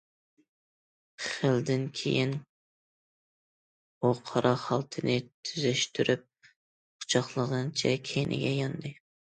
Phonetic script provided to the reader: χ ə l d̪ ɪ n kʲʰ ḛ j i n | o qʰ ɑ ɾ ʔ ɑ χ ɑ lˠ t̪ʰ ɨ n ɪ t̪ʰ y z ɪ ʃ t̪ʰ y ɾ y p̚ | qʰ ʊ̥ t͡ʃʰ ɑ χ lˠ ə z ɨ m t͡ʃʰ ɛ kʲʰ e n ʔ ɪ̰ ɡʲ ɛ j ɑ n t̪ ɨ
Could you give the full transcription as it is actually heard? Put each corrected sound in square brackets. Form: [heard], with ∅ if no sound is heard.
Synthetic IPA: χ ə l d̪ ɪ n kʲʰ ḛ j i n | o qʰ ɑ ɾ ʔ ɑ χ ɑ lˠ t̪ʰ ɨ n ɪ t̪ʰ y z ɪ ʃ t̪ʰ y ɾ y p̚ | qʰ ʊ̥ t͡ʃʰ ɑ χ lˠ ə [ʁ] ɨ [n] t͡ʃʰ ɛ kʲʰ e n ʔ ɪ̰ ɡʲ ɛ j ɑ n [d̪] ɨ